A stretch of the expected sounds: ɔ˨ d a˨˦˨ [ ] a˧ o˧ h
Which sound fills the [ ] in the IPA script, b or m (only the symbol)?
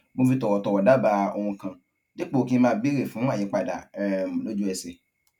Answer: b